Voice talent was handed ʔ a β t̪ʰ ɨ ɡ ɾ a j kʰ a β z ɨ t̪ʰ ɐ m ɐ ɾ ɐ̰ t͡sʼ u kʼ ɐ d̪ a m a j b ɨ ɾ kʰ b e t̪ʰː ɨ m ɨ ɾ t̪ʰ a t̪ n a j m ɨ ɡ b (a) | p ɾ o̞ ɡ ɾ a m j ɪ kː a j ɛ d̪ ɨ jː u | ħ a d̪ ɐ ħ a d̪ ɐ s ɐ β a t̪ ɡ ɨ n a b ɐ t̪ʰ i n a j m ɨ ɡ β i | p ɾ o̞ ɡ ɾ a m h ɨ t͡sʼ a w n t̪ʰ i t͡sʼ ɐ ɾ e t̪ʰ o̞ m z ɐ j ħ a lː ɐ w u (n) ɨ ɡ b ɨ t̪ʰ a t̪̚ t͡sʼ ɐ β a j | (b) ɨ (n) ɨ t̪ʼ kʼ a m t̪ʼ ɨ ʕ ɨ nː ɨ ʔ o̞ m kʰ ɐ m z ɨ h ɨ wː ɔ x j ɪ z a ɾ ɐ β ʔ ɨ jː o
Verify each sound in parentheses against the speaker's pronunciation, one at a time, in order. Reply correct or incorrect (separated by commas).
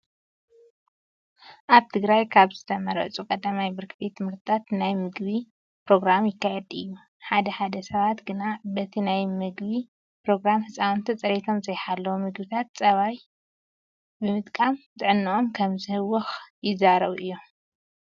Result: incorrect, incorrect, correct, incorrect